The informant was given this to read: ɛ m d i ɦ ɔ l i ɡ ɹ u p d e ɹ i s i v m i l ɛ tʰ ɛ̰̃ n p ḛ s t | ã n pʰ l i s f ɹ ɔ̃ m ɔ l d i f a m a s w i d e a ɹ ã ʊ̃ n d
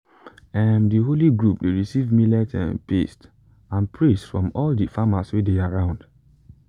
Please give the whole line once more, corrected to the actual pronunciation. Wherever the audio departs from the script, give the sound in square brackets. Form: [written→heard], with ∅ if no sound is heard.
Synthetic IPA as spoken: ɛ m d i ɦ [ɔ→o] l i ɡ ɹ u p d e ɹ i s i v m i l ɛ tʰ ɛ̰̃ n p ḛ s t | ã n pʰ [l→ɹ] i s f ɹ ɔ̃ m ɔ l d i f a m a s w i d e a ɹ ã ʊ̃ n d